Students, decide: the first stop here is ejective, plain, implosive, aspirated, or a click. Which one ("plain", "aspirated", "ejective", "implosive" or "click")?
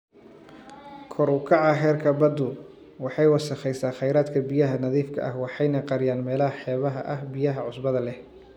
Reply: aspirated